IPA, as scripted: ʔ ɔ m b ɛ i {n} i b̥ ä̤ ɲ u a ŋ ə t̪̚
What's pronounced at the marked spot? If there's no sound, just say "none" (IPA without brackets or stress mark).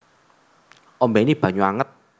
n